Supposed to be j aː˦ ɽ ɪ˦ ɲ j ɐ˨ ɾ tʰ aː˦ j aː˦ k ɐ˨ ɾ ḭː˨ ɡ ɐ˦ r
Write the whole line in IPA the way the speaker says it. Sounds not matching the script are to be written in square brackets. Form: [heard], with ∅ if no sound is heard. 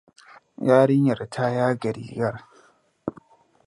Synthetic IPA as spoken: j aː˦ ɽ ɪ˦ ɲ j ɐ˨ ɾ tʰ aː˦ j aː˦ [ɡ] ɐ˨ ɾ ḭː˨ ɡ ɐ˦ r